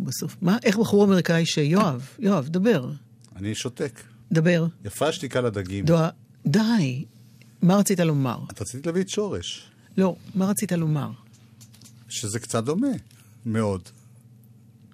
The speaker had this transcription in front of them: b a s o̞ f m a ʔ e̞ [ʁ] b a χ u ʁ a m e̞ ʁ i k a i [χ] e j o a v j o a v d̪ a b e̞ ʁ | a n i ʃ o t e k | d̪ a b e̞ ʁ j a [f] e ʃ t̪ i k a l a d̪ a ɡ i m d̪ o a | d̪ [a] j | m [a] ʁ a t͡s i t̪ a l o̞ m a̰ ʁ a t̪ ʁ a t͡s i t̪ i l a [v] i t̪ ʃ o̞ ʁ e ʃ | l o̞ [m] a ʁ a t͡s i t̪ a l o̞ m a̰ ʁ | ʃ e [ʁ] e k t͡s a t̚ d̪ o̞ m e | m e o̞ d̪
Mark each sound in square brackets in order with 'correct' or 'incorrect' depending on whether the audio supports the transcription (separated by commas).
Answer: incorrect, incorrect, correct, correct, correct, correct, correct, incorrect